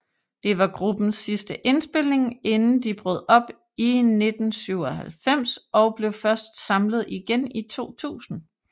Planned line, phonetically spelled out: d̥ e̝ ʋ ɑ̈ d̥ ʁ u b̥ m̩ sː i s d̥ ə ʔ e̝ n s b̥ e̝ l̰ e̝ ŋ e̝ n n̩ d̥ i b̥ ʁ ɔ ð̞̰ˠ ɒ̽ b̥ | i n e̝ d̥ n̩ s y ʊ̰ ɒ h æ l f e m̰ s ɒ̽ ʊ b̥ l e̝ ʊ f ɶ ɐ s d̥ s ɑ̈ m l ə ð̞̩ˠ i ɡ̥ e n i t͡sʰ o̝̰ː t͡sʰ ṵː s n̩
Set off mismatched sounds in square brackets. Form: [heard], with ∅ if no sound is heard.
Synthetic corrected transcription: d̥ e̝ ʋ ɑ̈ [ɡ̥] ʁ u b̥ [n̩] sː i s d̥ ə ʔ e̝ n s b̥ e̝ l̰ e̝ ŋ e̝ n n̩ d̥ i b̥ ʁ ɔ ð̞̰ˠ ɒ̽ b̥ | i n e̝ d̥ n̩ s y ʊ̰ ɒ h æ l f e m̰ s ɒ̽ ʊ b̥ l e̝ ʊ f ɶ ɐ s d̥ s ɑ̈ m l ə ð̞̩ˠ i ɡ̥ e n i t͡sʰ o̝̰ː t͡sʰ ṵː s n̩